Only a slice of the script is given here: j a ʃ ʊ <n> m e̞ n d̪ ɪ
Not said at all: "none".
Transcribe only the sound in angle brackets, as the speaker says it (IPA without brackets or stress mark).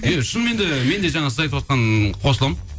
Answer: n